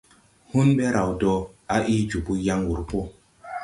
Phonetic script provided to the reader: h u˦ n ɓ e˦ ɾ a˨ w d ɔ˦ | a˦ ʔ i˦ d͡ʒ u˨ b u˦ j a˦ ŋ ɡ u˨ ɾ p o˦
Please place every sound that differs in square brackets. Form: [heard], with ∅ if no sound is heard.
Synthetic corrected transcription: h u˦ n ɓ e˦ ɾ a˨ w d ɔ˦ | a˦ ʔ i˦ d͡ʒ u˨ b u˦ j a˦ ŋ ɡ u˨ ɾ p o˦